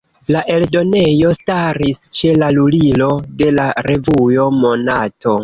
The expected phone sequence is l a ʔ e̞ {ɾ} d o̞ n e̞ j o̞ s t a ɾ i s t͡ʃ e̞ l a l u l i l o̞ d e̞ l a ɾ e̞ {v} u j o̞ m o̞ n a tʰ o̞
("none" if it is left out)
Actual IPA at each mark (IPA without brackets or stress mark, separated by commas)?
l, v